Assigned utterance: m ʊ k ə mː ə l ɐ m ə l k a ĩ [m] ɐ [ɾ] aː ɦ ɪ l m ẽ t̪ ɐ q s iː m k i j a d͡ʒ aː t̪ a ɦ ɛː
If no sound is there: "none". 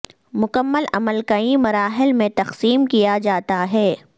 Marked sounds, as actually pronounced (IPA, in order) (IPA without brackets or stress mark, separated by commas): m, ɾ